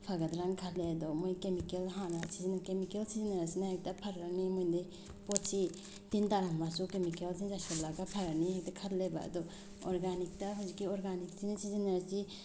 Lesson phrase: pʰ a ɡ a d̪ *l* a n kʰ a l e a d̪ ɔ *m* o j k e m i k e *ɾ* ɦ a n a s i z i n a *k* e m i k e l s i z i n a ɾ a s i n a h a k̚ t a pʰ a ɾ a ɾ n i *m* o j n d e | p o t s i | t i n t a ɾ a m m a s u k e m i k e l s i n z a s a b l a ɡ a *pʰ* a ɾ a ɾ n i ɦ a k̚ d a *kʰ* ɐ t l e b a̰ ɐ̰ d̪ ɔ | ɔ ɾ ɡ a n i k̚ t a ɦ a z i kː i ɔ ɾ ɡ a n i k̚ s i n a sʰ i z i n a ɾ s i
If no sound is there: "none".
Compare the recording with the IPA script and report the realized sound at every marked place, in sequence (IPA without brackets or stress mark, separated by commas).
ɾ, m, l, k, m, pʰ, kʰ